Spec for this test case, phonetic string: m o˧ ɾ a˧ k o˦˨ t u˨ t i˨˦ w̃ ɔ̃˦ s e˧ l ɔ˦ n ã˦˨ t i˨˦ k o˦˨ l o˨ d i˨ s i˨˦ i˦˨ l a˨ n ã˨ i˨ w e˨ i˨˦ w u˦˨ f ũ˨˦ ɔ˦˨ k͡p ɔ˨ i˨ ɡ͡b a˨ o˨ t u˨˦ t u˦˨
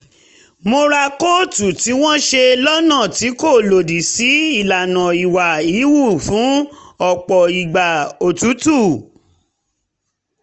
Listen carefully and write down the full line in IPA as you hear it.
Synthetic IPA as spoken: m o˧ ɾ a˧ k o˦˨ t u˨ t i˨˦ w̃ ɔ̃˦ ʃ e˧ l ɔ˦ n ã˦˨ t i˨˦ k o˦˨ l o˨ d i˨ s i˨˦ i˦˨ l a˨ n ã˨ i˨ w a˨ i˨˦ w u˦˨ f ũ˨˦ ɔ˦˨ k͡p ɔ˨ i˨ ɡ͡b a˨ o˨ t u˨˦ t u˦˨